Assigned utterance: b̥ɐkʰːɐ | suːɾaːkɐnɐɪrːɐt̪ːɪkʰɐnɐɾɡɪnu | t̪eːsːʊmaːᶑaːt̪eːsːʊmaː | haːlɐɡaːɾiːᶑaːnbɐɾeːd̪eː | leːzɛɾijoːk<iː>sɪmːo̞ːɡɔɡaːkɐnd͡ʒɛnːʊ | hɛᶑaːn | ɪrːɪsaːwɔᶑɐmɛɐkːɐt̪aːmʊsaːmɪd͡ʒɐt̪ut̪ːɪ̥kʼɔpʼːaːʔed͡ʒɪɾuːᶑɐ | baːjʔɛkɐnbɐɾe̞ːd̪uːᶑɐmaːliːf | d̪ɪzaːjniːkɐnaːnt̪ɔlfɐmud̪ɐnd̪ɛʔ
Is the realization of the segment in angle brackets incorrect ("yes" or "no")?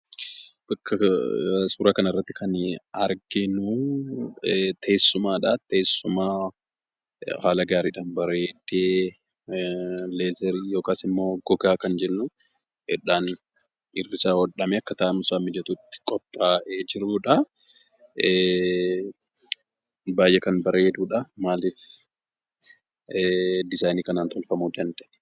yes